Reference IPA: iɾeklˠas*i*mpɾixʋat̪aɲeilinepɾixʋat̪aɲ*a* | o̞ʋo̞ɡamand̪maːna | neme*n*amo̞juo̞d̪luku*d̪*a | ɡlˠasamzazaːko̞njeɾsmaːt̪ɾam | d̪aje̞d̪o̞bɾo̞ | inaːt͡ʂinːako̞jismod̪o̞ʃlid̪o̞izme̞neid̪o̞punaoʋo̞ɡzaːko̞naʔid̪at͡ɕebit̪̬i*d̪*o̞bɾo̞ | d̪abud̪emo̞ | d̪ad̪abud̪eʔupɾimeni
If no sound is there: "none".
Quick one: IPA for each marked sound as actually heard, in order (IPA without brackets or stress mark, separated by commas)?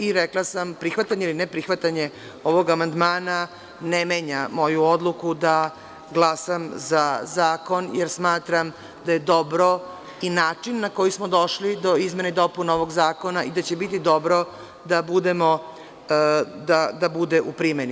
a, e, ɲ, d̪, d̪